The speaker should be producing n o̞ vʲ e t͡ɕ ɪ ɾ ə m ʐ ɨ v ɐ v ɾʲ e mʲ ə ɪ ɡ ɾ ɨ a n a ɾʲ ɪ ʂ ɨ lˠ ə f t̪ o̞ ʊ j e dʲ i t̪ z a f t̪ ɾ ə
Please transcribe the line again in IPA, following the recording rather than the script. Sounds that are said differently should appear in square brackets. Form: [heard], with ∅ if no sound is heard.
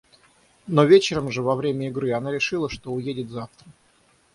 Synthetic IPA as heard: n o̞ vʲ e t͡ɕ ɪ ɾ ə m ʐ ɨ v ɐ v ɾʲ e mʲ ə ɪ ɡ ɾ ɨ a n a ɾʲ ɪ ʂ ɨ lˠ ə [ʂ] t̪ o̞ ʊ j e dʲ [ɪ] t̪ z a f t̪ ɾ ə

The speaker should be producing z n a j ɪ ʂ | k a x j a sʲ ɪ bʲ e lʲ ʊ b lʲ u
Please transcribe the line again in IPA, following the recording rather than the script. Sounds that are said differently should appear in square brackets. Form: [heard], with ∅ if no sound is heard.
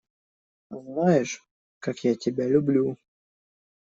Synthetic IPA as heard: z n a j ɪ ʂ | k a [k] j a [tʲ] ɪ bʲ [a] lʲ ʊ b lʲ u

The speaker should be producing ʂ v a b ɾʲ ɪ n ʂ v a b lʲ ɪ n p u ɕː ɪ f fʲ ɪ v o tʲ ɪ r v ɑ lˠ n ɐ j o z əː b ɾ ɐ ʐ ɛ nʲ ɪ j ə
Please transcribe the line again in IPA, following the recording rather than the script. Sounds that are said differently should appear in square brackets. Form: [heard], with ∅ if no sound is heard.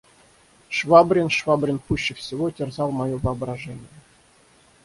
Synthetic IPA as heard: ʂ v a b ɾʲ ɪ n ʂ v a b [ɾʲ] ɪ n p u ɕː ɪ f [sʲ] ɪ v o tʲ ɪ r [z] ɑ lˠ [m] ɐ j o [v] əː b ɾ ɐ ʐ ɛ nʲ ɪ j ə

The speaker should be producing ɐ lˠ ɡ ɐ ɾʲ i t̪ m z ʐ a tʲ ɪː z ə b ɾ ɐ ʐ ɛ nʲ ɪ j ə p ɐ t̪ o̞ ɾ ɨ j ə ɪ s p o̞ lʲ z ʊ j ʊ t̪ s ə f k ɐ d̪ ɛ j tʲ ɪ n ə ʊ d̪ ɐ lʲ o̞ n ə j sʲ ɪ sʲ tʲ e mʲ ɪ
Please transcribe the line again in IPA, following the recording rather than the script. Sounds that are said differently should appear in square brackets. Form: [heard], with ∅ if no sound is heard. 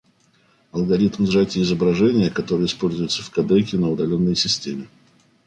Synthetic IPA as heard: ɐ lˠ ɡ ɐ ɾʲ i t̪ m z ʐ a tʲ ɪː z ə b ɾ ɐ ʐ ɛ nʲ ɪ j ə [k] ɐ t̪ o̞ ɾ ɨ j ə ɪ s p o̞ lʲ z ʊ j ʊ t̪ s ə f k ɐ d̪ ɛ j [kʲ] ɪ n ə ʊ d̪ ɐ lʲ o̞ [nː] ə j sʲ ɪ sʲ tʲ e mʲ ɪ

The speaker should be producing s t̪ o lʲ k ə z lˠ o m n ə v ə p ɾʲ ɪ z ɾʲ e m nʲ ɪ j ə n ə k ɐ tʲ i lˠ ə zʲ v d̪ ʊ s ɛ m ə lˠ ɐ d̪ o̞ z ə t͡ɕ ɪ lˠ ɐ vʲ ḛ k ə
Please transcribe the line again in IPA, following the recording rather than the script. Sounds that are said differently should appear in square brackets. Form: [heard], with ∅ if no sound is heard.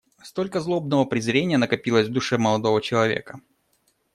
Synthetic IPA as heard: s t̪ o lʲ k ə z lˠ o [b] n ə v ə p ɾʲ ɪ z ɾʲ e [∅] nʲ ɪ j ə n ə k ɐ [pʲ] i lˠ ə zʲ v d̪ ʊ [ʂ] ɛ m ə lˠ ɐ d̪ o̞ [v] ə t͡ɕ ɪ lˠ ɐ vʲ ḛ k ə

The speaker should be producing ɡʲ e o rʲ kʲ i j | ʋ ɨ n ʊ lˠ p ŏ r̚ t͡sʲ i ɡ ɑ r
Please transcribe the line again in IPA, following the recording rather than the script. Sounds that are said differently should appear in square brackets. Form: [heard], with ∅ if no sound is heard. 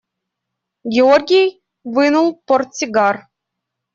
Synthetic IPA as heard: ɡʲ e o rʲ [ɡʲ] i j | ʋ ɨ n [u] lˠ p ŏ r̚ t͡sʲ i ɡ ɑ r

